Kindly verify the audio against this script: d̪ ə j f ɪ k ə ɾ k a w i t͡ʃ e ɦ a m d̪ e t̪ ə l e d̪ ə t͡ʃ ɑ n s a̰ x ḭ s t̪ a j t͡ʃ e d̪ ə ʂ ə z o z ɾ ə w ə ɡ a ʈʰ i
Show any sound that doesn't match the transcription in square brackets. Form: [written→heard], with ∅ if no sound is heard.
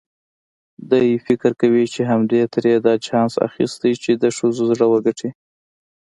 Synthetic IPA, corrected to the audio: d̪ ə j f ɪ k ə ɾ k a w i t͡ʃ e ɦ a m d̪ e t̪ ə [l→ɾ] e d̪ [ə→ɑ] t͡ʃ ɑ n s a̰ x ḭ s t̪ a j t͡ʃ e d̪ ə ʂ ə z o z [ɾ→ɽ] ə w ə ɡ a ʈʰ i